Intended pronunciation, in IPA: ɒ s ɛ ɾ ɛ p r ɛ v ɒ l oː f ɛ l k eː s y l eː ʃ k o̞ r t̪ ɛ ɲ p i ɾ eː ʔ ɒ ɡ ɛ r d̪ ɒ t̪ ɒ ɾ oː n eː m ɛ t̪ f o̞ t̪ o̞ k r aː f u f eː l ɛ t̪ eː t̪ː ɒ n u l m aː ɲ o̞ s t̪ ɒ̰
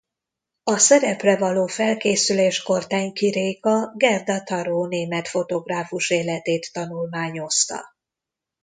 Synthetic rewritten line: ɒ s ɛ ɾ ɛ p r ɛ v ɒ l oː f ɛ l k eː s y l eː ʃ k o̞ r t̪ ɛ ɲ k i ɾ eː k ɒ ɡ ɛ r d̪ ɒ t̪ ɒ ɾ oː n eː m ɛ t̪ f o̞ t̪ o̞ ɡ r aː f u ʃ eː l ɛ t̪ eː t̪ː ɒ n u l m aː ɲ o̞ s t̪ ɒ̰